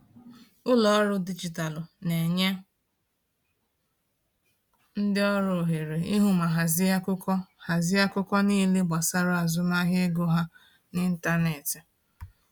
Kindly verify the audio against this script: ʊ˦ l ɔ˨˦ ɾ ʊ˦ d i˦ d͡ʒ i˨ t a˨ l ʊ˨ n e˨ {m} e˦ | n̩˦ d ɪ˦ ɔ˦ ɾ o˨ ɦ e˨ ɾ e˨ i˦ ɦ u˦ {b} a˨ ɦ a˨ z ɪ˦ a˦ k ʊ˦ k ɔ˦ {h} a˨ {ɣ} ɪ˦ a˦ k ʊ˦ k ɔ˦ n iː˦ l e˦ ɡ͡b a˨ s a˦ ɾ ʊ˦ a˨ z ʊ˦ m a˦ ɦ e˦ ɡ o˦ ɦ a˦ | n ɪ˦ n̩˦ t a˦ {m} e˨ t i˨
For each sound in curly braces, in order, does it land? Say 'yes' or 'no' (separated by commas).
no, no, yes, no, no